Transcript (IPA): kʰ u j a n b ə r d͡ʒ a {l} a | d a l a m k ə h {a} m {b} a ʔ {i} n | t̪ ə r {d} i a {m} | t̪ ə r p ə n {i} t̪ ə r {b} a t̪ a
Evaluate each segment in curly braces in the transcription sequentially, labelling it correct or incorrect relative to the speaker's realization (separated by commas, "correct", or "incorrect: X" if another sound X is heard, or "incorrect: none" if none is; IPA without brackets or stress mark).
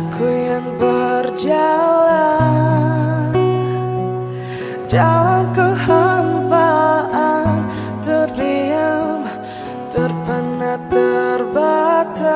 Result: correct, correct, correct, incorrect: a, correct, correct, incorrect: a, correct